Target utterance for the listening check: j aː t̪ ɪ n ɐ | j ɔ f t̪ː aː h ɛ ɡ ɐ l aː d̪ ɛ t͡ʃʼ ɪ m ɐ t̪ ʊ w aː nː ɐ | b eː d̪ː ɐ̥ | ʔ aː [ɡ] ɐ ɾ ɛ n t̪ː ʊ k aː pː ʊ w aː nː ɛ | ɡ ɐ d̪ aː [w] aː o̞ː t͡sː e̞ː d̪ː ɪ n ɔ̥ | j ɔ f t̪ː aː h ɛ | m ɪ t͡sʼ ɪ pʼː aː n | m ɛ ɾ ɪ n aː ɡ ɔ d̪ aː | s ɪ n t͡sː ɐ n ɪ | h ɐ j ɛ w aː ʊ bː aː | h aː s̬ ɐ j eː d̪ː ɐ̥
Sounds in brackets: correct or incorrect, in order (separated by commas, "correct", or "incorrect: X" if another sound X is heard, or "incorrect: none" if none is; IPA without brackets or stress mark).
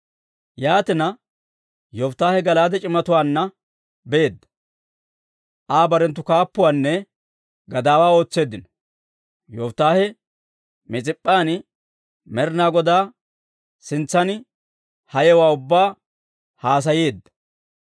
incorrect: b, correct